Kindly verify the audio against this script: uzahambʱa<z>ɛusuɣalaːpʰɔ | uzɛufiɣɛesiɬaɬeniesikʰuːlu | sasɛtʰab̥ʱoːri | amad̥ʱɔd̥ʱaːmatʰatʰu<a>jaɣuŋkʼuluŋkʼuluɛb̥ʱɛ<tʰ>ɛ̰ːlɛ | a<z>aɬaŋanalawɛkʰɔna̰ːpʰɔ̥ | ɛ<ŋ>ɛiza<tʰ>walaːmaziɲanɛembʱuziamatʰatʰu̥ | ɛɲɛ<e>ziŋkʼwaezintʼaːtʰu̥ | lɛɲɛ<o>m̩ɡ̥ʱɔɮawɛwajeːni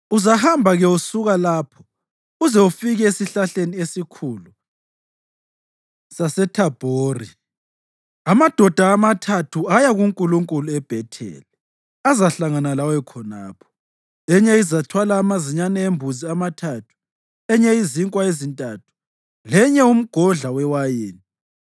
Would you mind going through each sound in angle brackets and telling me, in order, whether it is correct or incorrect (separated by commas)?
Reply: incorrect, correct, correct, correct, incorrect, correct, incorrect, incorrect